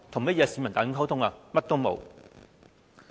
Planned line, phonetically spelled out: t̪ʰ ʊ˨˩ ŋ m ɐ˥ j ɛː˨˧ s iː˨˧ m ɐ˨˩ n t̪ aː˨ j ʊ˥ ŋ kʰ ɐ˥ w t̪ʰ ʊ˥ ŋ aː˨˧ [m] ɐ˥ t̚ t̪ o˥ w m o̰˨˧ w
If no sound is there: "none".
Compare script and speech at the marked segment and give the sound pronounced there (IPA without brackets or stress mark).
m